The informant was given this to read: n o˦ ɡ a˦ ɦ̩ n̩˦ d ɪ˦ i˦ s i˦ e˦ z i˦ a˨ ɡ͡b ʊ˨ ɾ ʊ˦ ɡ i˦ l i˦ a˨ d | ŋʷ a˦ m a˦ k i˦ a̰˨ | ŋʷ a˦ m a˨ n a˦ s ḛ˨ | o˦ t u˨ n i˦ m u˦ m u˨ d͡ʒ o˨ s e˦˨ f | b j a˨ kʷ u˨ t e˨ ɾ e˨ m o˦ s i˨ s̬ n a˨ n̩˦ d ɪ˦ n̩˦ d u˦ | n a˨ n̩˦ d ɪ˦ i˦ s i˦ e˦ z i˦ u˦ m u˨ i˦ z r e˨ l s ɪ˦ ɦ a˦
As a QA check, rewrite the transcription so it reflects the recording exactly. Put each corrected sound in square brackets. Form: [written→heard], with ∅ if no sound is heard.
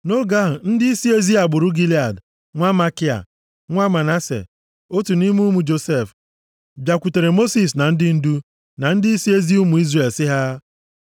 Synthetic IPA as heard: n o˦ ɡ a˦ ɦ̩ n̩˦ d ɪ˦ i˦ s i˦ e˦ z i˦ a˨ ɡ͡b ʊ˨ ɾ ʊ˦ ɡ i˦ l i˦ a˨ d | ŋʷ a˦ m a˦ k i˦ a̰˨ | ŋʷ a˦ m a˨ n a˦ s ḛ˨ | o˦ t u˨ n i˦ m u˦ m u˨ d͡ʒ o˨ s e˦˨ f | b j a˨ kʷ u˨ t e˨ ɾ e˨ m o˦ s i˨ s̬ n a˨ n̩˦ d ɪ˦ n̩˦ d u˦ | n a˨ n̩˦ d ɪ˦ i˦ s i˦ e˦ z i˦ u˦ m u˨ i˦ z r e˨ l s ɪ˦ ɦ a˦